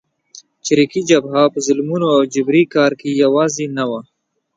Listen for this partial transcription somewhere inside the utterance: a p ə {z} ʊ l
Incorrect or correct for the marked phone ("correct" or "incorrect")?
correct